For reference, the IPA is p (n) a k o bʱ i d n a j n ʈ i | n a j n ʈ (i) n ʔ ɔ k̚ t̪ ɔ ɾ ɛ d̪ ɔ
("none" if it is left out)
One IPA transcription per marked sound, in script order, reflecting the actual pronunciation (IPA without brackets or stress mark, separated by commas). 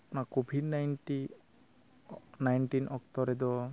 n, i